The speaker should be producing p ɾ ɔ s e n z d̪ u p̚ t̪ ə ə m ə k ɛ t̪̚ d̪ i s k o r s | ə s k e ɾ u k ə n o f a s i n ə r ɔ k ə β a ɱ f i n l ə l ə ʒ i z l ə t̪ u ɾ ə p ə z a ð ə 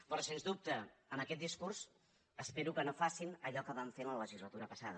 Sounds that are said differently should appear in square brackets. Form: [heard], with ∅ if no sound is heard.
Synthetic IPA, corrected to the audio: p ɾ ɔ s e n z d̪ u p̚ t̪ ə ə m ə k ɛ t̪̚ d̪ i s k [u] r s | ə s [p] e ɾ u k ə n o f a s i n ə [ʎ] ɔ k ə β a ɱ f [e] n l ə l ə ʒ i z l ə t̪ u ɾ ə p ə [s] a ð ə